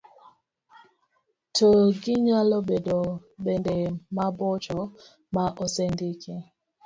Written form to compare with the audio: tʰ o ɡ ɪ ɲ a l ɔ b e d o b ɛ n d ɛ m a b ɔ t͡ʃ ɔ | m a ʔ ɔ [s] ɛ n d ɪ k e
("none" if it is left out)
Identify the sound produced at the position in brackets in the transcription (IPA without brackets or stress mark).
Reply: s